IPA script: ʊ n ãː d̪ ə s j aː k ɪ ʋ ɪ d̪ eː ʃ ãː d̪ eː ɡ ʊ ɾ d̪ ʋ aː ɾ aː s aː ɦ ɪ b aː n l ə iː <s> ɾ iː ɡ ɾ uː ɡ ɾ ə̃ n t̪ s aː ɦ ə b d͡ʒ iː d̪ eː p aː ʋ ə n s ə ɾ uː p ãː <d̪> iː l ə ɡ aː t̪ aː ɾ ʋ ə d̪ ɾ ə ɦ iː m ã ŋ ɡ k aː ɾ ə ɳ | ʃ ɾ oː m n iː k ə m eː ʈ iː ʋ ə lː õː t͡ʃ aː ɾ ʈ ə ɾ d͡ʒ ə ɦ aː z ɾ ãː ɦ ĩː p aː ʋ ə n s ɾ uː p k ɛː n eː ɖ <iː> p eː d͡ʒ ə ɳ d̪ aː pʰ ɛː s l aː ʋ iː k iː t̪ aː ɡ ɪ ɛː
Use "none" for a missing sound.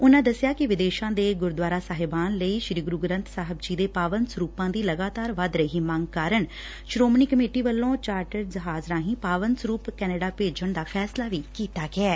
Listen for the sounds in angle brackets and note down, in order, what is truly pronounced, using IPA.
ʃ, d̪, aː

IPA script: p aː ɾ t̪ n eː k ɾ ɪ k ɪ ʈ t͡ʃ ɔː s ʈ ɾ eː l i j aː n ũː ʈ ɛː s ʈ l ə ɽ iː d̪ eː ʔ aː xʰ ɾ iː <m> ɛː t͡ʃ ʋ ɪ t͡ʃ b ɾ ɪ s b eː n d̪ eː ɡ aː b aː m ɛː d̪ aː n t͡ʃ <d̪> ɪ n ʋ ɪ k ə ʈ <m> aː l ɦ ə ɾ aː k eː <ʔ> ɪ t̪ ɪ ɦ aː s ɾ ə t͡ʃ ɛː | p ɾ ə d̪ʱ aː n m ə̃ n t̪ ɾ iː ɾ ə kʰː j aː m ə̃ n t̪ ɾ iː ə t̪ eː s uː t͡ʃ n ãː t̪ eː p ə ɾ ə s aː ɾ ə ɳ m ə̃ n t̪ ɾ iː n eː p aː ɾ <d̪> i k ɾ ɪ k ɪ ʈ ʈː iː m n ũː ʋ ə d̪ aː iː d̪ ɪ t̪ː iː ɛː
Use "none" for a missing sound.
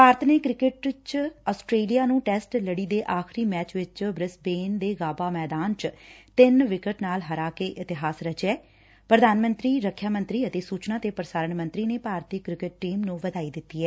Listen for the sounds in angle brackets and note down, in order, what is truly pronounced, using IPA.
m, t̪, n, ʔ, t̪

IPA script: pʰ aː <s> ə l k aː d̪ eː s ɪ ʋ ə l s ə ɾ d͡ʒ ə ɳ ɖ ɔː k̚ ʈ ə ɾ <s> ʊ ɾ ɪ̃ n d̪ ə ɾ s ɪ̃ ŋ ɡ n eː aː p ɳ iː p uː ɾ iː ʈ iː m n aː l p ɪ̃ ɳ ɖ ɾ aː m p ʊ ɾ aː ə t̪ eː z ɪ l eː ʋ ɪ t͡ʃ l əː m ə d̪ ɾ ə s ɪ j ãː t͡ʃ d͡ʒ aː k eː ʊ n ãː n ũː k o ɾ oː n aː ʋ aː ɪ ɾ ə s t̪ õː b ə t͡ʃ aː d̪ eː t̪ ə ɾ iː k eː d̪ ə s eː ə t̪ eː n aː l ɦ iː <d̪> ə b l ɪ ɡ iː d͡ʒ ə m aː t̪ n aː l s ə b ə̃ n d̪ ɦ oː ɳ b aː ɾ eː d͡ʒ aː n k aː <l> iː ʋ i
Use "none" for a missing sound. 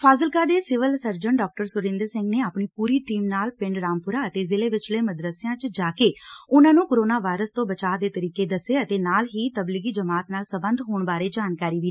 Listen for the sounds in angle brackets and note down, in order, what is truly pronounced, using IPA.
z, s, t̪, ɾ

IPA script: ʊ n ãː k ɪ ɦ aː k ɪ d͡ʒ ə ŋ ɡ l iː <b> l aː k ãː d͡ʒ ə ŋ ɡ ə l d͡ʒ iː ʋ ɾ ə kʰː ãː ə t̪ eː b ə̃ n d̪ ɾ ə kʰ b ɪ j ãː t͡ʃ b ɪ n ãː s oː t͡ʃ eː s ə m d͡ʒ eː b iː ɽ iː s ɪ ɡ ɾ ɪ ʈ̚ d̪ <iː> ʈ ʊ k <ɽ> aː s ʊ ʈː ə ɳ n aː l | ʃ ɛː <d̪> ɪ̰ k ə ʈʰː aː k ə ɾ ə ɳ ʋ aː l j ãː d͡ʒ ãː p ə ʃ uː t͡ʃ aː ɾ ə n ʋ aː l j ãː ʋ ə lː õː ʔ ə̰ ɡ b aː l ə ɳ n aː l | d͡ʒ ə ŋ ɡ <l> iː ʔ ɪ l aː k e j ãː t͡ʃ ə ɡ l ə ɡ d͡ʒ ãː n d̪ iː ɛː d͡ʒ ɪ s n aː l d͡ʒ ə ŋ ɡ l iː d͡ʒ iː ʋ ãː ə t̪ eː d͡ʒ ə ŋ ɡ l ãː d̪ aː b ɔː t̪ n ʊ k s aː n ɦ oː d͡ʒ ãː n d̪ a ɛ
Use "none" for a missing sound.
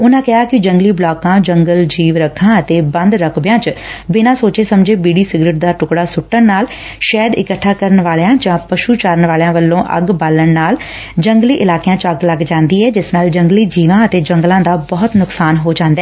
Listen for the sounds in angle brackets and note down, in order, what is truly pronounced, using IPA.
b, aː, ɽ, d̪, l

